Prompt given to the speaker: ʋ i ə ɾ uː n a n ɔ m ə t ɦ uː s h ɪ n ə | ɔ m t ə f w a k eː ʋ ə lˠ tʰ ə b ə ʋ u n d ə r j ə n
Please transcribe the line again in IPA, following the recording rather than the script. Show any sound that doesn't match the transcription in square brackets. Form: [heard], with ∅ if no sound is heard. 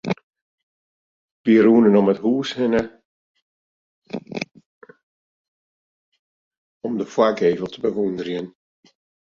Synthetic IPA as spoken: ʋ i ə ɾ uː n [ə] n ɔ m ə t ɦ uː s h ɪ n ə | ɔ m [d] ə f w a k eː [v] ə lˠ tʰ ə b ə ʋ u n d ə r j ə n